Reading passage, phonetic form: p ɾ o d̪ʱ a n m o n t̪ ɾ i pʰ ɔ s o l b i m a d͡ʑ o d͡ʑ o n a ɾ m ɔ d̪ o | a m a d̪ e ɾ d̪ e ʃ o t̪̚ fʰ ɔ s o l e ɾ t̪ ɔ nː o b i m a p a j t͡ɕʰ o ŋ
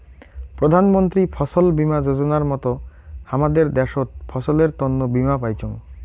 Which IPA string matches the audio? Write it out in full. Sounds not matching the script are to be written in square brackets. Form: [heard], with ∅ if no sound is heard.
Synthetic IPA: p ɾ o d̪ʱ a n m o n t̪ ɾ i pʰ ɔ s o l b i m a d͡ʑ o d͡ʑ o n a ɾ m ɔ [t̪] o | a m a d̪ e ɾ d̪ [ɛ] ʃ o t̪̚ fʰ ɔ s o l e ɾ t̪ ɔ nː o b i m a p a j t͡ɕʰ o ŋ